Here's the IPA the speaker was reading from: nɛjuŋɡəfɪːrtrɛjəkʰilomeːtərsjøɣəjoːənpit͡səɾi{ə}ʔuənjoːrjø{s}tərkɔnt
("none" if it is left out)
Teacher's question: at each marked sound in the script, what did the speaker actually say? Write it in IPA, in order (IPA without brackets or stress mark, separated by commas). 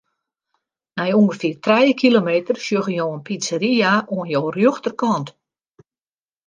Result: a, x